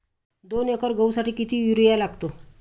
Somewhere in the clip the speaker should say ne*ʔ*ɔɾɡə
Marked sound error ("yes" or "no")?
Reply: yes